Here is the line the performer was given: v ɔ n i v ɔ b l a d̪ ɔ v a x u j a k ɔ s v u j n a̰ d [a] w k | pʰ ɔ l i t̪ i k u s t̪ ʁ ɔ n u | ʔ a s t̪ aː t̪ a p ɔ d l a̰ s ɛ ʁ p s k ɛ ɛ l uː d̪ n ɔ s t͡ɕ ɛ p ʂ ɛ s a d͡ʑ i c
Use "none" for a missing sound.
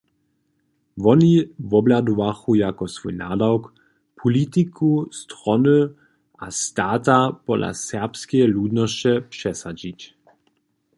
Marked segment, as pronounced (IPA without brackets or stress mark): a